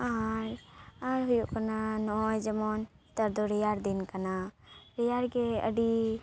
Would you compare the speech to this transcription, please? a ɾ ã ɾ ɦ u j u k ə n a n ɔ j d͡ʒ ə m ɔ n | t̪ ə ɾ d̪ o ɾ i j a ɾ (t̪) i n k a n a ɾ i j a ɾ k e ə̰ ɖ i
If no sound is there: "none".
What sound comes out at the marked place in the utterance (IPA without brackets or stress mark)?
d̪